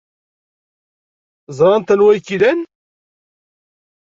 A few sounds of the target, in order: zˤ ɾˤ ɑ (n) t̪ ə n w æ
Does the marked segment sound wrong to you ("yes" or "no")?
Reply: no